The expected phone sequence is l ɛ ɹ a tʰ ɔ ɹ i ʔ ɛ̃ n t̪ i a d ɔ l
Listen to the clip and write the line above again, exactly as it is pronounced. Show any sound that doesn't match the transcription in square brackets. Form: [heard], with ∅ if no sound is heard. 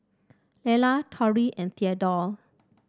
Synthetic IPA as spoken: l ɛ [l] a tʰ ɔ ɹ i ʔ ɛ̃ n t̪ i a d ɔ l

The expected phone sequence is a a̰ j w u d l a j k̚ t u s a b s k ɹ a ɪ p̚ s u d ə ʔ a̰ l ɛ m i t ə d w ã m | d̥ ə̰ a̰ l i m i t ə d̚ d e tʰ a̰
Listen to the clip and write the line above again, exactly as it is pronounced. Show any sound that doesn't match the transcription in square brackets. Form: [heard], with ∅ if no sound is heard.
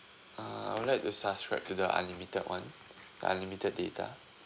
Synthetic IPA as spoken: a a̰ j w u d l a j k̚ t u s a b s k ɹ a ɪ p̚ [t] u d ə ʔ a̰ l [i] m i t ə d w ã [n] | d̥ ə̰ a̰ l i m i t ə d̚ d e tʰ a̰

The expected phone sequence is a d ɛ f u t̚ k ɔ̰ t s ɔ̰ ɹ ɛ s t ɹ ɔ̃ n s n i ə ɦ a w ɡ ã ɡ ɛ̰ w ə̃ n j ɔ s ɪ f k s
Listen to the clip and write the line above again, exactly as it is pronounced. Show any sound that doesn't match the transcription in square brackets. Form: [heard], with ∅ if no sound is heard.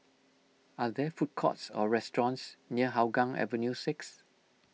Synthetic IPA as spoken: a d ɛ f u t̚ [kʰ] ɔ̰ t s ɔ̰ ɹ ɛ s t ɹ ɔ̃ n s n i ə ɦ a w ɡ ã [ŋ] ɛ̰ [v] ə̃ n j [u] s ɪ [∅] k s

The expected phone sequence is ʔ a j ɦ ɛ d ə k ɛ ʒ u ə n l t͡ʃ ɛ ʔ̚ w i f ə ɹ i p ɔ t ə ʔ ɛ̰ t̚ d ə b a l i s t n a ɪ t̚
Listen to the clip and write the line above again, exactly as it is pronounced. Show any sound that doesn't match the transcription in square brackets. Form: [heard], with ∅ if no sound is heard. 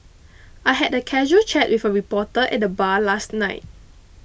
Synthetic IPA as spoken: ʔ a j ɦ ɛ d ə [kʰ] ɛ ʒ u ə [∅] l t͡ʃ ɛ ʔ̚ w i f ə ɹ i p ɔ t ə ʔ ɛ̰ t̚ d ə b a l [a] s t n a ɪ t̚

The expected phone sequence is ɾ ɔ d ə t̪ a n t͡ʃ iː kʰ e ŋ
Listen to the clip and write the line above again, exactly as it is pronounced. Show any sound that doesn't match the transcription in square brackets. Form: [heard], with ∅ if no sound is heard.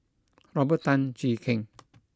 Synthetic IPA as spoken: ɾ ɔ [b] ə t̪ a n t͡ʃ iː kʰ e ŋ

